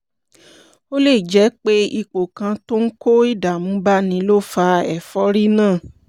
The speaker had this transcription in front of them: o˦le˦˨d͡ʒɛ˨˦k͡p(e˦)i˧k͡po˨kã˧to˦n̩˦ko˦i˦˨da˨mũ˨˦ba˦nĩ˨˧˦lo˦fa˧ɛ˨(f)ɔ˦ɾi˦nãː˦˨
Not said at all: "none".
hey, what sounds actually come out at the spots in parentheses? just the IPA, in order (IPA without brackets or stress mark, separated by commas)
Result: e˦, f